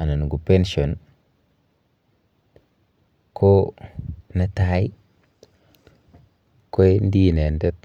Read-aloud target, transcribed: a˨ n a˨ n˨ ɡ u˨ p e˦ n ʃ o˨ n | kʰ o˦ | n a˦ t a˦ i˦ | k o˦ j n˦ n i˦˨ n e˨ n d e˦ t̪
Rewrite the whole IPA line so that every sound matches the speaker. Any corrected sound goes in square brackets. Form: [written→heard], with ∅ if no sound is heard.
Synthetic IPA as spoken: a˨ n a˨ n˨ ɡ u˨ p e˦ n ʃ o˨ n | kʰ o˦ | n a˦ t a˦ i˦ | k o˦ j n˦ [n→d] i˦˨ n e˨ n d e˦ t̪